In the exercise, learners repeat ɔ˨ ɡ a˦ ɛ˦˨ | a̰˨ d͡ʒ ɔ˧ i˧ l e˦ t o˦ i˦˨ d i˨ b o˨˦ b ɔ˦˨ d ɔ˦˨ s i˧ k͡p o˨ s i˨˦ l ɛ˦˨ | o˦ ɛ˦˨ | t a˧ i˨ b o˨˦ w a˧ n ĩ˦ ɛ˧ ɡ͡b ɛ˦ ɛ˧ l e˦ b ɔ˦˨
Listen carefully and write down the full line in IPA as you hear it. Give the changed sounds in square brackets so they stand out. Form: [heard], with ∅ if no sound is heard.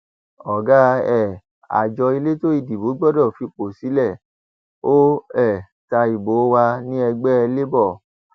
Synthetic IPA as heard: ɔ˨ ɡ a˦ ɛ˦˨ | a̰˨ d͡ʒ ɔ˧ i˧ l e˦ t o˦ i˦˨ d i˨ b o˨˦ [ɡ͡b] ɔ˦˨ d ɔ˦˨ [f] i˧ k͡p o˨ s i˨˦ l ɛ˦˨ | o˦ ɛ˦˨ | t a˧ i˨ b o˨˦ w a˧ n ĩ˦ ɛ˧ ɡ͡b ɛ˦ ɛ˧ l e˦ b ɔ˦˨